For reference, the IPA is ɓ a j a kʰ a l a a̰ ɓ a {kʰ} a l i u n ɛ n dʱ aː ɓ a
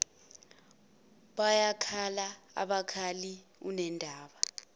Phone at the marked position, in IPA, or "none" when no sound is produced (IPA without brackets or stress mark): kʰ